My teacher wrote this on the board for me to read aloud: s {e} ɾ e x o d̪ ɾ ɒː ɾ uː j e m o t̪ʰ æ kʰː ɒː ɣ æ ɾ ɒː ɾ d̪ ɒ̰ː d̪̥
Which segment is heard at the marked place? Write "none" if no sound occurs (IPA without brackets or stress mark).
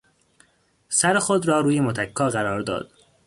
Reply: æ